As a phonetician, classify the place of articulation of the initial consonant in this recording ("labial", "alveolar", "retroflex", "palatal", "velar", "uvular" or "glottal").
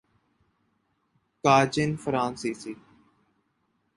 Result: velar